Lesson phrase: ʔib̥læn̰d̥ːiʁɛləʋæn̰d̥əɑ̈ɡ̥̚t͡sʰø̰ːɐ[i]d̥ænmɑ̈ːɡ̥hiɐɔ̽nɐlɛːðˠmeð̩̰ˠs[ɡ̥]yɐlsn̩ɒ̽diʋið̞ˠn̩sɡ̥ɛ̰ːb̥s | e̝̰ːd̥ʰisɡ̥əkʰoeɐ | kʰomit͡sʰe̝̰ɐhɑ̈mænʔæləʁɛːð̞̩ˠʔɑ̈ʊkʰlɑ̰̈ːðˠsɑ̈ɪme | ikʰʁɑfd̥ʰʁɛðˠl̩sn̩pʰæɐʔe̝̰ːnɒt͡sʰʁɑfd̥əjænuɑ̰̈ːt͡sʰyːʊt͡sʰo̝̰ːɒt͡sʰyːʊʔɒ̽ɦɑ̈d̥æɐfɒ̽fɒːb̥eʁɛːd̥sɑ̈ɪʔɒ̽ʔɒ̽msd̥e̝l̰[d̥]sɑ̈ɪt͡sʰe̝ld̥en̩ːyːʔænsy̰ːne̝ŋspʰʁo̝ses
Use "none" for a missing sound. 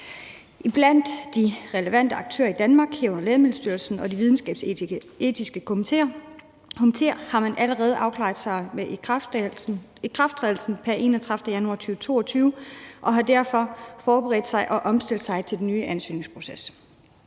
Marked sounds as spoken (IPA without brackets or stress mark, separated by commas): i, d̥, d̥